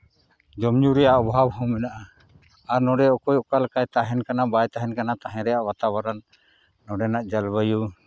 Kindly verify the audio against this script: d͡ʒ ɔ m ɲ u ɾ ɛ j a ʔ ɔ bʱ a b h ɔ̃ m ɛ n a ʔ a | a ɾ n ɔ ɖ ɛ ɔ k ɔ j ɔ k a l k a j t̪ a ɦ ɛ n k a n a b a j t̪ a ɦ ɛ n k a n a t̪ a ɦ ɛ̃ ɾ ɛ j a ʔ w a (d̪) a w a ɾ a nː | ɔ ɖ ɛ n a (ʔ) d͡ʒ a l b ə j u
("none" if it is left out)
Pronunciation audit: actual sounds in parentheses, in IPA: t̪, ʔ

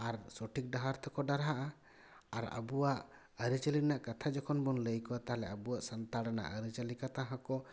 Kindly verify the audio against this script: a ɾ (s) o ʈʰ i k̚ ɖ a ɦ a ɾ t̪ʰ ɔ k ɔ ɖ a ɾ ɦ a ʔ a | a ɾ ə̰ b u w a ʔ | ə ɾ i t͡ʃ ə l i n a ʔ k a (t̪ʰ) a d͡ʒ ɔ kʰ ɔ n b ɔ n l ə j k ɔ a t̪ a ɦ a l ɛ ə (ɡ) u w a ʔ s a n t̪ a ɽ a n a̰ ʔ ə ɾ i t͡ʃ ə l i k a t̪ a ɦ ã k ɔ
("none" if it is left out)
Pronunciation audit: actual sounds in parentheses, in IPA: s, t̪ʰ, b

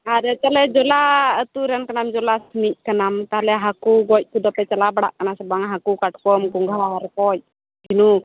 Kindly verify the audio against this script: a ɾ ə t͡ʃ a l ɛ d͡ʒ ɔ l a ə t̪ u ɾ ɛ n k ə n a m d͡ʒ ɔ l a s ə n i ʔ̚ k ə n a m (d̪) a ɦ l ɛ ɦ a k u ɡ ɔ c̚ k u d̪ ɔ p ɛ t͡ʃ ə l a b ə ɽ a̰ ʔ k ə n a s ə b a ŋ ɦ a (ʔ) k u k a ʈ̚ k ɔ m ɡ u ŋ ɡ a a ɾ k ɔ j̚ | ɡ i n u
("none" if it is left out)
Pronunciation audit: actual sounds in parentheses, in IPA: t̪, none

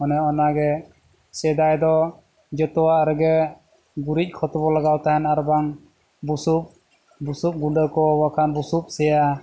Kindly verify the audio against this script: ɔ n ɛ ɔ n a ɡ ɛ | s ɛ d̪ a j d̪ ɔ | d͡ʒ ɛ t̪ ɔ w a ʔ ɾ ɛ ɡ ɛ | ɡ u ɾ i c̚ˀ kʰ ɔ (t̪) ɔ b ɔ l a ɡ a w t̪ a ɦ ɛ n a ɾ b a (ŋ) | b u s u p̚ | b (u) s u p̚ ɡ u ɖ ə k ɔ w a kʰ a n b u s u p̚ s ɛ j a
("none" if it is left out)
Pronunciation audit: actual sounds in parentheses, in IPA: t̪, ŋ, u

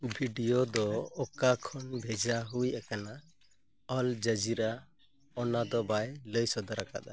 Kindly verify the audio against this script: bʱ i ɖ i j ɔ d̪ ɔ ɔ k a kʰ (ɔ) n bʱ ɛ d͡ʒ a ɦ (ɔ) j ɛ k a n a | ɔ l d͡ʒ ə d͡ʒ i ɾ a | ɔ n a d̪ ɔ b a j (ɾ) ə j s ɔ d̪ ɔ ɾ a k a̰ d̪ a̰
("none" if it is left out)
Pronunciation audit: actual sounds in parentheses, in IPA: ɔ, u, l

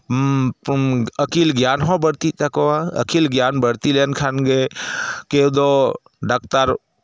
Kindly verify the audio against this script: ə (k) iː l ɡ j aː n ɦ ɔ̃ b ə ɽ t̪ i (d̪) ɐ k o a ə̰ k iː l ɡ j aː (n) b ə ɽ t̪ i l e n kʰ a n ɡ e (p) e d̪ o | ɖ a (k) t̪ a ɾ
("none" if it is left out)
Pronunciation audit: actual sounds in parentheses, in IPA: k, t̪, n, k, k

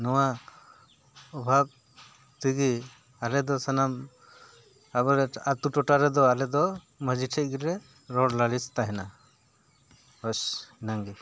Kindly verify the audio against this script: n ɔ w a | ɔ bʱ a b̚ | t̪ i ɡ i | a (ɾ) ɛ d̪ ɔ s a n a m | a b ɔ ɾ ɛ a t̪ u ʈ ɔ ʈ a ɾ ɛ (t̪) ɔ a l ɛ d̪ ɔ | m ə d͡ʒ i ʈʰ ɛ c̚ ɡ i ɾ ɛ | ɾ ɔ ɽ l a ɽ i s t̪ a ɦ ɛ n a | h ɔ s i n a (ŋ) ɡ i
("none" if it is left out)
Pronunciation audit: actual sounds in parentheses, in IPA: l, d̪, ŋ

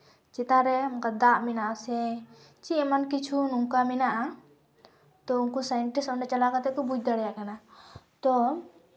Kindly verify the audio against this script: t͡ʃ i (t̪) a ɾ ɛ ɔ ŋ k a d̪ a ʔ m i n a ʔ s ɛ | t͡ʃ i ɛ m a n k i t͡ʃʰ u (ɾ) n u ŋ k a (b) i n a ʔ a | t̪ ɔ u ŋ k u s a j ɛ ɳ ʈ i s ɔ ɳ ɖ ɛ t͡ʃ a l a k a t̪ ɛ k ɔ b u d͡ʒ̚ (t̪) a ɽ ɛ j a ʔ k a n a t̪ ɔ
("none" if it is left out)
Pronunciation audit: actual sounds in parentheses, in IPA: t̪, none, m, d̪

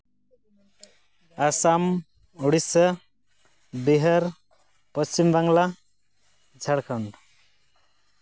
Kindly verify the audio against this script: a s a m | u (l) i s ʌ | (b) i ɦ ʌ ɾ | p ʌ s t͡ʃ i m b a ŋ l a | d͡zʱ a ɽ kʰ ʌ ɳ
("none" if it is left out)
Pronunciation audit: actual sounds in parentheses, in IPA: ɽ, b

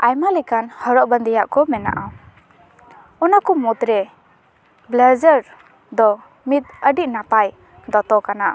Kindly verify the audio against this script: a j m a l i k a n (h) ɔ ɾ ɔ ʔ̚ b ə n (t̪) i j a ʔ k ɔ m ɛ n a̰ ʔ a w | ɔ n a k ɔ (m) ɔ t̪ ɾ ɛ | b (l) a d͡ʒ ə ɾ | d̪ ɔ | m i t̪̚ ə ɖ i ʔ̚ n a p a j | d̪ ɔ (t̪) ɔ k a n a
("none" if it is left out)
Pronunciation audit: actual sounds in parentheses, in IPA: h, d̪, m, l, t̪

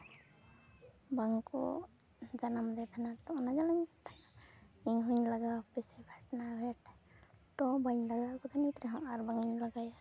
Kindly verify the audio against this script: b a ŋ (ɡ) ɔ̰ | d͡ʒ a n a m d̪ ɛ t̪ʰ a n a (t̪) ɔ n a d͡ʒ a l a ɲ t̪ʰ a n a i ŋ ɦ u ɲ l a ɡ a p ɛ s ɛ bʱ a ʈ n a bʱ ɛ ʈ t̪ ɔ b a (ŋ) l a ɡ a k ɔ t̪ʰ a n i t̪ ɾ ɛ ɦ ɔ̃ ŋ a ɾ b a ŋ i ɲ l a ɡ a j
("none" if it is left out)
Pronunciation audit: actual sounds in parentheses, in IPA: k, t̪, ɲ

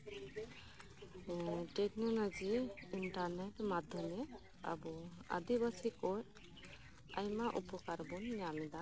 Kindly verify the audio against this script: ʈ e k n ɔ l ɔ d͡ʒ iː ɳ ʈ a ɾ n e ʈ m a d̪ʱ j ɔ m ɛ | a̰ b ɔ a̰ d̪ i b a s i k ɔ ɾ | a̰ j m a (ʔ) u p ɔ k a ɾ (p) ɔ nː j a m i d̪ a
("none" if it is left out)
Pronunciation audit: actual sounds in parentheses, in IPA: ʔ, b

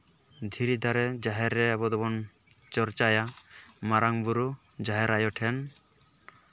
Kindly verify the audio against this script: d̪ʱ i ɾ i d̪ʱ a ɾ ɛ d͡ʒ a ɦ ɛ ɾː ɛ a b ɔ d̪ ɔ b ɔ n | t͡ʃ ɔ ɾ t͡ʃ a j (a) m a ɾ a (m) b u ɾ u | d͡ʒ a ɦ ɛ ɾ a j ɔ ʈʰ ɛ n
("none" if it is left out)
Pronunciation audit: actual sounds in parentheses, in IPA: a, ŋ

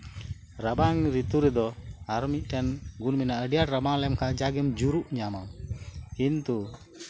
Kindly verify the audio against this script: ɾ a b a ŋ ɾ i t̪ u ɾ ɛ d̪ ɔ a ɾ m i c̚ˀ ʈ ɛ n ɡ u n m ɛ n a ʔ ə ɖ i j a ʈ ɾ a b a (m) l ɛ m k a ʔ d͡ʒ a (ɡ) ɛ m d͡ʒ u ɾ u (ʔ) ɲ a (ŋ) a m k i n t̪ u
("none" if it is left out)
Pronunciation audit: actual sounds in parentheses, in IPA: ŋ, ɡ, ʔ, m

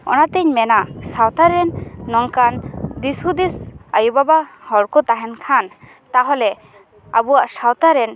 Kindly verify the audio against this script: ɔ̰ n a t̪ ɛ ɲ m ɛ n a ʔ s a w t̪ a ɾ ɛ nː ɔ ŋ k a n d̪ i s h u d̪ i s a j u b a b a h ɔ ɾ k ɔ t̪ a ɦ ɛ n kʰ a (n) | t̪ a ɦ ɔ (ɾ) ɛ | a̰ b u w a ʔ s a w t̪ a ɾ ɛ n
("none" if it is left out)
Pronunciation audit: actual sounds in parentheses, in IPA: n, l

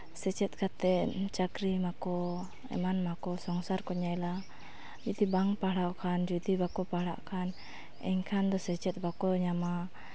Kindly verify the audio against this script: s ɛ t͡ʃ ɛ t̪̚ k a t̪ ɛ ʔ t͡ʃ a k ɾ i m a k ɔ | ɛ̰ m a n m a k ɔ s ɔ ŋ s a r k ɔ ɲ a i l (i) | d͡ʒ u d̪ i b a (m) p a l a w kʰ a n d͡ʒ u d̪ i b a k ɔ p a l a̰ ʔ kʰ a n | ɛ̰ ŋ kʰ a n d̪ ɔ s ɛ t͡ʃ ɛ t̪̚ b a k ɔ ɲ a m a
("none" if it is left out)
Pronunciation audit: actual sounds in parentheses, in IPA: a, ŋ

